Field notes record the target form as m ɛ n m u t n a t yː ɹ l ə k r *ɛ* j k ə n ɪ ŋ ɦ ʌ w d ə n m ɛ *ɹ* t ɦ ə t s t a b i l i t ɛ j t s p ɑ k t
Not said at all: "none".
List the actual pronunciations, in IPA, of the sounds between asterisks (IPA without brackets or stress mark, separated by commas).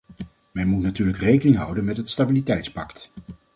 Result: e, none